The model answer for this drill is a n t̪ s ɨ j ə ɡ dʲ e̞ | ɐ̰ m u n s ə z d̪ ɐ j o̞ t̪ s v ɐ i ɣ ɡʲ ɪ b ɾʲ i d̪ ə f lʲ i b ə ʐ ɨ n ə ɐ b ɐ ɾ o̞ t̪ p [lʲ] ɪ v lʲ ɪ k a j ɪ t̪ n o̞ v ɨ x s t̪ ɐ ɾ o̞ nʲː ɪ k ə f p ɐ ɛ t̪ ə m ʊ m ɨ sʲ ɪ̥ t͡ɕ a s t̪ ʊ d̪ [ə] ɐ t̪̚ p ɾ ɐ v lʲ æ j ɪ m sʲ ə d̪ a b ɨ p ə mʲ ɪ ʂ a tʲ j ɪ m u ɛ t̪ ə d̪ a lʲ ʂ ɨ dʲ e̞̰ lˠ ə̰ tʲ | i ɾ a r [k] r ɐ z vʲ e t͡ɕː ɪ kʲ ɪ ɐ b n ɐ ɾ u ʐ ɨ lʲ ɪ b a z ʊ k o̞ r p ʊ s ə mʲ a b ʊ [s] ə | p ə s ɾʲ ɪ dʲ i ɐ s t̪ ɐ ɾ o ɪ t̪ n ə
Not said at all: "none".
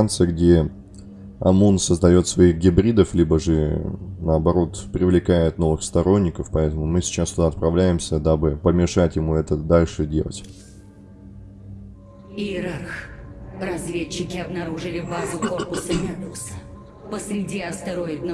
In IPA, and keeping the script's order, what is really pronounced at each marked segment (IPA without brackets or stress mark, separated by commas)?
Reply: ɾʲ, a, x, s